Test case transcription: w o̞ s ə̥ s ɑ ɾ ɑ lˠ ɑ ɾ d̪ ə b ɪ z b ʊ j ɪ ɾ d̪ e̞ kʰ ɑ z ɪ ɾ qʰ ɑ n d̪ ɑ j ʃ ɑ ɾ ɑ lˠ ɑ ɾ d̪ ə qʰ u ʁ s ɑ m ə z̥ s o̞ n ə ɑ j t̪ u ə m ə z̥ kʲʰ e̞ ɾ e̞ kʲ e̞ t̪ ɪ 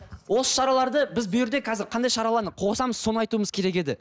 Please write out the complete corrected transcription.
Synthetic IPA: w o̞ s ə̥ ʃ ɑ ɾ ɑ lˠ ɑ ɾ d̪ ə b ɪ z b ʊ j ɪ ɾ d̪ e̞ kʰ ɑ z ɪ ɾ qʰ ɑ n d̪ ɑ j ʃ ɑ ɾ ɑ lˠ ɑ ɾ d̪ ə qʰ o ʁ s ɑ m ə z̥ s o̞ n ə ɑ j t̪ u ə m ə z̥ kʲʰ e̞ ɾ e̞ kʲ e̞ d̪ ɪ

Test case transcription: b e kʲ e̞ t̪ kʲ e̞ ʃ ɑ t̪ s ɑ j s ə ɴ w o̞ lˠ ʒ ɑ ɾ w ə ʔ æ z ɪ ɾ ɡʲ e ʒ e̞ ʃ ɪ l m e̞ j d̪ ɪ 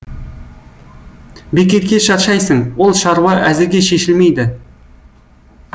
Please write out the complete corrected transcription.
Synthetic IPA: b e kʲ e̞ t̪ kʲ e̞ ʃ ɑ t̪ ʃ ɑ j s ə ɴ w o̞ lˠ ʃ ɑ ɾ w ɑ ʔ æ z ɪ ɾ ɡʲ e ʃ e̞ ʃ ɪ l m e̞ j d̪ ɪ

